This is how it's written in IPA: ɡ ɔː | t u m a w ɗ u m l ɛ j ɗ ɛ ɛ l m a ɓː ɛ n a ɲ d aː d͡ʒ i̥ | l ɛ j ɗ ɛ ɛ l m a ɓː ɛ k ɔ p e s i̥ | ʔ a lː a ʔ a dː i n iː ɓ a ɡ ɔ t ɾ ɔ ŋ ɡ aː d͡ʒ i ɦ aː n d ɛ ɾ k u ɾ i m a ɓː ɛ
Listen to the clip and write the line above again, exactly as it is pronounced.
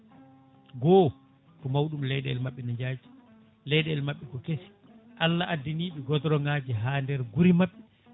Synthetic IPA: ɡ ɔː | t ɔ m a w ɗ u m l ɛ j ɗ ɛ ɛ l m a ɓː ɛ n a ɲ d͡ʒ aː d͡ʒ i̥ | l ɛ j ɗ ɛ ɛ l m a ɓː ɛ k ɔ k e s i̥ | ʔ a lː a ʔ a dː i n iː ɓ ɛ ɡ ɔ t ɾ ɔ ŋ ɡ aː d͡ʒ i ɦ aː n d ɛ ɾ ɡ u ɾ i m a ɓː ɛ